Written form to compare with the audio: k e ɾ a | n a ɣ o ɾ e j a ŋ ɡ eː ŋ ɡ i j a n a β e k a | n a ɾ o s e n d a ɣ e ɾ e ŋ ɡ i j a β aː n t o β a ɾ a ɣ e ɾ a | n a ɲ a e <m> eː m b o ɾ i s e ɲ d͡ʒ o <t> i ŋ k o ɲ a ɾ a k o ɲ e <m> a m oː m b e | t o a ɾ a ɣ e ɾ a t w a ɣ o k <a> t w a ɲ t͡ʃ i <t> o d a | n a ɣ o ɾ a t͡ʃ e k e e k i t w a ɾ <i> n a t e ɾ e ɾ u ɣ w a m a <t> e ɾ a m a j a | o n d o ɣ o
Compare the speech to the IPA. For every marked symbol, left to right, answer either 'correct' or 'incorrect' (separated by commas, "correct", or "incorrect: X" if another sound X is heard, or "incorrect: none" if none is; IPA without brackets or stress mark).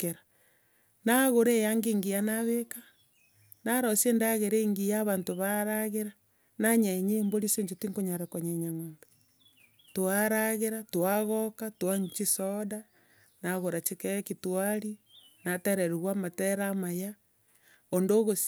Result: incorrect: ɲ, correct, incorrect: ɲ, correct, incorrect: s, correct, correct